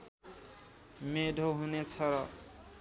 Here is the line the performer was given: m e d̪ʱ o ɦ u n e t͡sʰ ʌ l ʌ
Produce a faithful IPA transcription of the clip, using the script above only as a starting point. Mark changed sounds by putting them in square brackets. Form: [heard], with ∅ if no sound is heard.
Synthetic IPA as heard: m e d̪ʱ o ɦ u n e t͡sʰ ʌ [ɾ] ʌ